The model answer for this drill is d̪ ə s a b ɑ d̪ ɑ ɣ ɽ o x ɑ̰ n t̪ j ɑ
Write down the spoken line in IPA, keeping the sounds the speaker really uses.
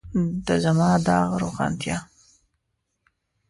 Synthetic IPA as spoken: d̪ ə z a m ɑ d̪ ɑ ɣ ɾ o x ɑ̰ n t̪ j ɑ